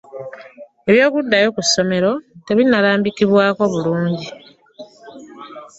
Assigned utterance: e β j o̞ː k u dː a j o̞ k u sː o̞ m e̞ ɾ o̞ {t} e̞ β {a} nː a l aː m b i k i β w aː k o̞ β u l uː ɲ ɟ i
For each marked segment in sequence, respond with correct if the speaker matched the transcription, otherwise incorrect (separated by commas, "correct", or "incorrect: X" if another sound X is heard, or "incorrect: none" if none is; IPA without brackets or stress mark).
correct, incorrect: i